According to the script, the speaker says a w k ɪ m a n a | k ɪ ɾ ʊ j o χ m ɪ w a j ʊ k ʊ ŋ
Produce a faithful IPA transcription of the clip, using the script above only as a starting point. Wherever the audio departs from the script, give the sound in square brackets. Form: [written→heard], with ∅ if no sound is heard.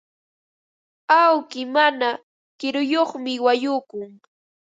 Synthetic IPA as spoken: a w k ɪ m a n a | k ɪ ɾ ʊ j o χ m ɪ w a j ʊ k ʊ ŋ